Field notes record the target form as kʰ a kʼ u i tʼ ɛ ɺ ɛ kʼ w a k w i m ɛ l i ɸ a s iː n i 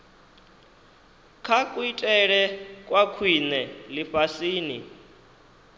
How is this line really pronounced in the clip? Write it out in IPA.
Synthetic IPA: kʰ a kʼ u i tʼ ɛ ɺ ɛ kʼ w a kʰ w i n ɛ l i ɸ a s iː n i

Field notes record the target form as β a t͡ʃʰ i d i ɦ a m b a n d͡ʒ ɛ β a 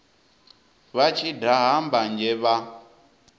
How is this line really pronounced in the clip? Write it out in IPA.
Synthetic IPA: β a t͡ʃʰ i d a ɦ a m b a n d͡ʒ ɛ β a

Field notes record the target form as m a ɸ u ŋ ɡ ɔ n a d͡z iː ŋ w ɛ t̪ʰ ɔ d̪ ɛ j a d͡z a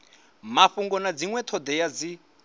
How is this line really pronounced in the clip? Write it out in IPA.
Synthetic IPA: m a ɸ u ŋ ɡ ɔ n a d͡z i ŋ w ɛ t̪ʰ ɔ d̪ ɛ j a d͡z i

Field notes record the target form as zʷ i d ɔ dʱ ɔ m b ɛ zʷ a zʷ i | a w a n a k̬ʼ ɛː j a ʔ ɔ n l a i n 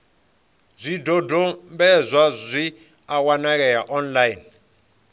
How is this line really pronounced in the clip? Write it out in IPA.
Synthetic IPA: zʷ i d ɔ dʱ ɔ m b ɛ zʷ a zʷ i | a w a n a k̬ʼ ɛ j a ʔ ɔ n l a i n

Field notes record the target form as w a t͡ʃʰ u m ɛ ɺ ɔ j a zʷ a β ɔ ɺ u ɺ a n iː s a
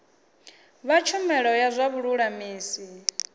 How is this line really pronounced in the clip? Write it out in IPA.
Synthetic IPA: β a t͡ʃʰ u m ɛ ɺ ɔ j a zʷ a β u ɺ u ɺ a m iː s i

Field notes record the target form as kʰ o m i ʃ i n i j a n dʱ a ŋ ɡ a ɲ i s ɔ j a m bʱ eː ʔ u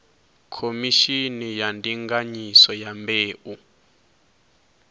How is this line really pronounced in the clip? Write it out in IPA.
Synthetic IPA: kʰ o m i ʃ i n i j a n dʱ i ŋ ɡ a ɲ i s ɔ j a m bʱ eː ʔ u

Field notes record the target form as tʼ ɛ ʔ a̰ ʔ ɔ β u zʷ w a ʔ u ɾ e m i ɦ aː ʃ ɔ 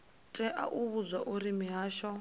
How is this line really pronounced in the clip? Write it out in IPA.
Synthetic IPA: tʼ ɛ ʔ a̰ ʔ u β u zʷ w a ʔ u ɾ i m i ɦ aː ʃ ɔ

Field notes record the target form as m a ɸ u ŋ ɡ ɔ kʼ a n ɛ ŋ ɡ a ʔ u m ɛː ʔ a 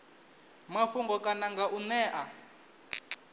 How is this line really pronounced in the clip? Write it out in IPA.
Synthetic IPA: m a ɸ u ŋ ɡ ɔ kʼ a n a ŋ ɡ a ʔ u n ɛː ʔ a

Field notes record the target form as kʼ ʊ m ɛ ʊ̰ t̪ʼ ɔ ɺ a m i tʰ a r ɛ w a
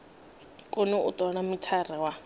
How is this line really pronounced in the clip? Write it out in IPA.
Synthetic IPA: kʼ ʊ n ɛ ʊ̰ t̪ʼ ɔ ɺ a m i tʰ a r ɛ w a

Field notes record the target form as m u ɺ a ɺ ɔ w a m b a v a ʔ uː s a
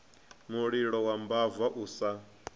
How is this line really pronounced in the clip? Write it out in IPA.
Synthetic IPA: m u ɺ i ɺ ɔ w a m b a v a ʔ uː s a

